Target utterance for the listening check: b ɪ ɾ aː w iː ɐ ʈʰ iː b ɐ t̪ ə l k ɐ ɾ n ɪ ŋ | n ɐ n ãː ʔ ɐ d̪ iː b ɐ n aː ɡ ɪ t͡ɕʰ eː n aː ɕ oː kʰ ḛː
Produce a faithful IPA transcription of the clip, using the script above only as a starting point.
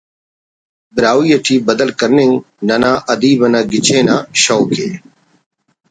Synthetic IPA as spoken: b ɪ ɾ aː w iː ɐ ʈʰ iː b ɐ d̪ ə l k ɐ ɾ n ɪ ŋ | n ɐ n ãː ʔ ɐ d̪ iː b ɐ n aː ɡ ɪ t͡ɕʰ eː n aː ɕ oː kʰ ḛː

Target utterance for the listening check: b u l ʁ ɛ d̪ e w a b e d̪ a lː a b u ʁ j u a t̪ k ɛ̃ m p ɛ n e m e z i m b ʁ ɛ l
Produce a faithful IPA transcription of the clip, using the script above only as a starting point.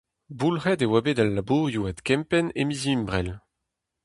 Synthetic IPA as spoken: b u l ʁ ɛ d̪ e w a b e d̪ a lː a b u ʁ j u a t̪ k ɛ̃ m p ɛ n e m i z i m b ʁ ɛ l

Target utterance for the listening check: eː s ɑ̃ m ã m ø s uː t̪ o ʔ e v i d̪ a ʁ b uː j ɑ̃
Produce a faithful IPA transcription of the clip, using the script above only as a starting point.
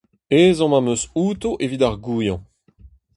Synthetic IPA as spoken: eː z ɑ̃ m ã m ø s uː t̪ o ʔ e v i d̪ a ʁ ɡ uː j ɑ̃

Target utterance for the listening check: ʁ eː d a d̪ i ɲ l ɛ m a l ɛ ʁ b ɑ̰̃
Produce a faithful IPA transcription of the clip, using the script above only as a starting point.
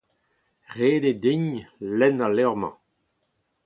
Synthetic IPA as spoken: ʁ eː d e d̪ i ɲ l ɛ n a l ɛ ʁ m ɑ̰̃

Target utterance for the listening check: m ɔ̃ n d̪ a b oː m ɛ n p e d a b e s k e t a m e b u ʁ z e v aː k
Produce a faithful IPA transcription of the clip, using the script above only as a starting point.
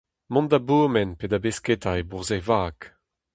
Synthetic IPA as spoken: m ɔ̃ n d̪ a b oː m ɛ n p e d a b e s k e t a e b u ʁ z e v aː k

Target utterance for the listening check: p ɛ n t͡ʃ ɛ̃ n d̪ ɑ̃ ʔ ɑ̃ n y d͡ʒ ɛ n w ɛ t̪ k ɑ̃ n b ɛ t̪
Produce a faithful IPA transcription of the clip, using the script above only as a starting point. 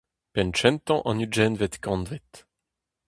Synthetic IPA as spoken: p ɛ n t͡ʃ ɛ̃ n t̪ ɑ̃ ʔ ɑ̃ n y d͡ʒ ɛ n v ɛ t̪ k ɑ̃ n v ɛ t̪

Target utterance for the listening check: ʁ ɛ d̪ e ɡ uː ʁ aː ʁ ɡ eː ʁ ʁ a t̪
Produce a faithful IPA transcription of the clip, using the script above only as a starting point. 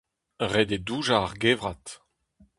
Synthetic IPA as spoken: ʁ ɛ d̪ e d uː ʒ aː ʁ ɡ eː v ʁ a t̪

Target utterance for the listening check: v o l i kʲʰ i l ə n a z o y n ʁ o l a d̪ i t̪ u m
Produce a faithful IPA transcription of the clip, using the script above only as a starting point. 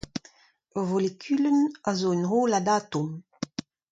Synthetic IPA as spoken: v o l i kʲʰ y l ə n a z o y n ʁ o l a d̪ a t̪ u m

